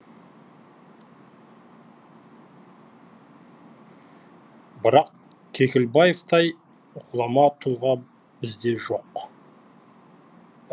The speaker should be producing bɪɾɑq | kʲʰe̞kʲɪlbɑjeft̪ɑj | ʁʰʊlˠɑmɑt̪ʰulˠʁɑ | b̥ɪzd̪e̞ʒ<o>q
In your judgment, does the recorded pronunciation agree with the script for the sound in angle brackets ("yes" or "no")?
yes